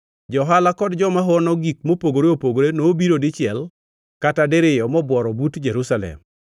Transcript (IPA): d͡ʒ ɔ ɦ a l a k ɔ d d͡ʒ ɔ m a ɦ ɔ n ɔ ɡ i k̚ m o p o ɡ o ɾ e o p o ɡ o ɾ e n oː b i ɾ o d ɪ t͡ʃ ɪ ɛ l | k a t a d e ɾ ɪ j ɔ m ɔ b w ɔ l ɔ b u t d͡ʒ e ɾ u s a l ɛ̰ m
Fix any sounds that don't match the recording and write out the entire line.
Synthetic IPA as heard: d͡ʒ ɔ ɦ a l a k ɔ d d͡ʒ ɔ m a ɦ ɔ n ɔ ɡ i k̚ m o p o ɡ o ɾ e o p o ɡ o ɾ e n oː b i ɾ o d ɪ t͡ʃ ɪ ɛ l | k a t a d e ɾ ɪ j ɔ m ɔ b w ɔ ɾ ɔ b u t d͡ʒ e ɾ u s a l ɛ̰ m